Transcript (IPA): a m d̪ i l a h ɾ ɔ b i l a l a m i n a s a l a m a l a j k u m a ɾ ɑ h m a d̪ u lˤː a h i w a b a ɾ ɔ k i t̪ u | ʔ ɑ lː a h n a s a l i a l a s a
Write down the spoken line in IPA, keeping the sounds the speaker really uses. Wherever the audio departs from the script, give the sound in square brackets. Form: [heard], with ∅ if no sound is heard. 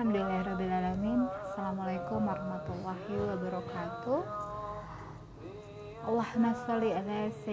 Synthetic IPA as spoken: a m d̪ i l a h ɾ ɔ b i l a l a m i n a s a l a m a l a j k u m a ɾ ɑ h m a [t̪] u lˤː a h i w a b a ɾ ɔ k [a] t̪ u | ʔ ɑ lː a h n a s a l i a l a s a